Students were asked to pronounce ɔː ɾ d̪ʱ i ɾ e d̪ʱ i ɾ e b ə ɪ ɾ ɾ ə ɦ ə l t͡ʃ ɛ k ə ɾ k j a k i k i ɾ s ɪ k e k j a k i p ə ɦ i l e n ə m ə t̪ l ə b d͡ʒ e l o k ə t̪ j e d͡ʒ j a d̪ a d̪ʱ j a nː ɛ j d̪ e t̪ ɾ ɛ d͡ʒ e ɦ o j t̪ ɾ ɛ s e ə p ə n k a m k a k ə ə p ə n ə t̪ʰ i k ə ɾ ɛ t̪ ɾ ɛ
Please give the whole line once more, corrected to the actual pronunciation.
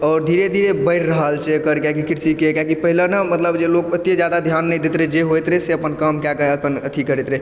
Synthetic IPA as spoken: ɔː ɾ d̪ʱ i ɾ e d̪ʱ i ɾ e b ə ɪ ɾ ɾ ə ɦ ə l t͡ʃ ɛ k ə ɾ k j a k i k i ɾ s i k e k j a k i p ə ɦ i l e n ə m ə t̪ l ə b d͡ʒ e l o k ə t̪ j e d͡ʒ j a d̪ a d̪ʱ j a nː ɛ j d̪ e t̪ ɾ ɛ d͡ʒ e ɦ o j t̪ ɾ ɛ s e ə p ə n k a m k a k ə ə p ə n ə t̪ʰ i k ə ɾ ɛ t̪ ɾ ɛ